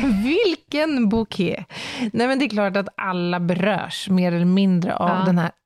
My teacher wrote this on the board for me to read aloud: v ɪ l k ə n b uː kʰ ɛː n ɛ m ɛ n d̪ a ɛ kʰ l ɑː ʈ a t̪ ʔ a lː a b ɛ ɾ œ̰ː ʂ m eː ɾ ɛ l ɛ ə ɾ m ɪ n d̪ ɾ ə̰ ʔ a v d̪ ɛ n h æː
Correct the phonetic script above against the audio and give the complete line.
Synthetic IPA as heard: v ɪ l k ə n b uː kʰ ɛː n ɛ m ɛ n d̪ ɛ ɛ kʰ l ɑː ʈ a t̪ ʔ a lː a b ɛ ɾ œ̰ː ʂ m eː ɾ ɛ l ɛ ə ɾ m ɪ n d̪ ɾ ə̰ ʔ a v d̪ ɛ n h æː